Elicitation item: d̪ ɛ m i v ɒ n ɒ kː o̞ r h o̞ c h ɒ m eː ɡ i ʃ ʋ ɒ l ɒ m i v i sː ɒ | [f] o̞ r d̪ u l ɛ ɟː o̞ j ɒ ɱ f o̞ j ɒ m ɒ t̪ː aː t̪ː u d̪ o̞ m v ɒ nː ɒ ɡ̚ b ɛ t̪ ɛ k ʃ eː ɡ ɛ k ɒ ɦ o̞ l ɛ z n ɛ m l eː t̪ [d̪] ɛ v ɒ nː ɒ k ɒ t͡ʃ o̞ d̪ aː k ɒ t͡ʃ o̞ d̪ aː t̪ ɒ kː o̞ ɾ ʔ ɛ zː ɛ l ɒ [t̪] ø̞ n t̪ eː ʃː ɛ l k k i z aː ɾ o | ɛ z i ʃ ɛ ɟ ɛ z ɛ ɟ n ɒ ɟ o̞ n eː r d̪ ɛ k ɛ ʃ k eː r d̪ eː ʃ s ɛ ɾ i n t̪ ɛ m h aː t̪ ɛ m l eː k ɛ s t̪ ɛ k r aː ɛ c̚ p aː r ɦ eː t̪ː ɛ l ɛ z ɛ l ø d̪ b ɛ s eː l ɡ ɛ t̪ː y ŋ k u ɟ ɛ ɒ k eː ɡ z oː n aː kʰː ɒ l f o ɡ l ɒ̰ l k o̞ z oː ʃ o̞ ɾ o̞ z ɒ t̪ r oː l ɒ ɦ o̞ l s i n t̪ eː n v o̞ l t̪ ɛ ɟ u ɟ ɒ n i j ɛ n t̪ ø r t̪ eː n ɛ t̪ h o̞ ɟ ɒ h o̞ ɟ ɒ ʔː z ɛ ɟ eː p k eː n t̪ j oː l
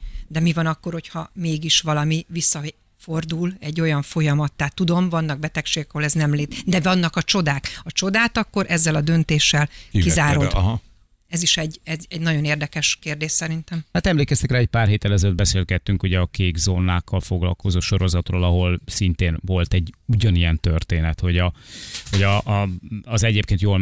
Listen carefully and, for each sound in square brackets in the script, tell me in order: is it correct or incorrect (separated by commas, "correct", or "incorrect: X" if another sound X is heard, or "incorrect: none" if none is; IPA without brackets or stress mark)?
correct, correct, incorrect: d̪